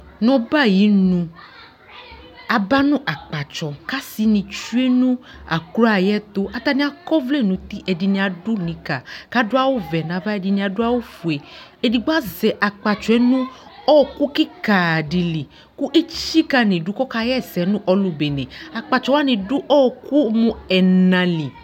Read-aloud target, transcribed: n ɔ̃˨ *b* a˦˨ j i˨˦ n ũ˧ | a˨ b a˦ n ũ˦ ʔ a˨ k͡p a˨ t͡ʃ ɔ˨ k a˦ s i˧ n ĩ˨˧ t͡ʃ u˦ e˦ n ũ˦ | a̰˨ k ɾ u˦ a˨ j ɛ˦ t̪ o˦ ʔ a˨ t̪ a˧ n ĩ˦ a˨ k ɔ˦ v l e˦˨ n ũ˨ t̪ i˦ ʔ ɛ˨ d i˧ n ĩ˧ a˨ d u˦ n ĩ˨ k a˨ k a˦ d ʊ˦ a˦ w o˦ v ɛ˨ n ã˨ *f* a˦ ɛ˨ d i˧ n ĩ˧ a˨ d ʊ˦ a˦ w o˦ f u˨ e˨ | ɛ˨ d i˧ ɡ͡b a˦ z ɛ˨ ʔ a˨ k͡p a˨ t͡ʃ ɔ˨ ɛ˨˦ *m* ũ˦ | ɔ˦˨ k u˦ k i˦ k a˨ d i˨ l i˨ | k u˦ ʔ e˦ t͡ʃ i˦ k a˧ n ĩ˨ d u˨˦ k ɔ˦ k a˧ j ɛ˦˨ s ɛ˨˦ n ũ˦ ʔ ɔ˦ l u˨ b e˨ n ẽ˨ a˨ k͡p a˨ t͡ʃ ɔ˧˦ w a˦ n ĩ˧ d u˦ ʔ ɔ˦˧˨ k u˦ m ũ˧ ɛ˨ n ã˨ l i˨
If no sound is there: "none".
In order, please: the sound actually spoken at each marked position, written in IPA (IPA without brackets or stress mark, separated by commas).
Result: b, v, n